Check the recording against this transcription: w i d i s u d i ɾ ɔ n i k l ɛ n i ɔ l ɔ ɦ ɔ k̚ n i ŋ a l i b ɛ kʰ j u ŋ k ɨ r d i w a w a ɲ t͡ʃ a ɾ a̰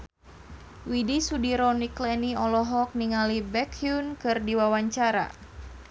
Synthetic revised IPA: w i d i s u d i ɾ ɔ n i k l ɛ n i ɔ l ɔ ɦ ɔ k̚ n i ŋ a l i b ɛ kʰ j u n k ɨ r d i w a w a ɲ t͡ʃ a ɾ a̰